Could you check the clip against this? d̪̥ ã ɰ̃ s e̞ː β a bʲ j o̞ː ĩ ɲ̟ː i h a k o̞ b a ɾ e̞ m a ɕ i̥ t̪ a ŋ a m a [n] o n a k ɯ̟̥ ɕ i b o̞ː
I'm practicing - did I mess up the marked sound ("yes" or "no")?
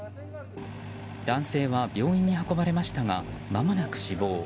yes